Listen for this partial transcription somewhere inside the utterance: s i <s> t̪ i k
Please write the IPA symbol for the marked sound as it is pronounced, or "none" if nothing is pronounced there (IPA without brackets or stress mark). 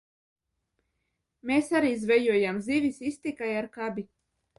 s